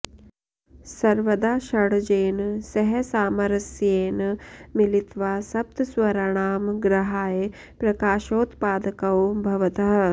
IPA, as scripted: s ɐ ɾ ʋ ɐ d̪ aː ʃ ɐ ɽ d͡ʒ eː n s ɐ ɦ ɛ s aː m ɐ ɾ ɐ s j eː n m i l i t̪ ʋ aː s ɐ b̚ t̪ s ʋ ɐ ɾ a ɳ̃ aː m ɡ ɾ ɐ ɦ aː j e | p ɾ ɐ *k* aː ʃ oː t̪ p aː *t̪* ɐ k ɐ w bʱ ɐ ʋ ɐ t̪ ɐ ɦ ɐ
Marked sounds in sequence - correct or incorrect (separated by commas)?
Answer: correct, incorrect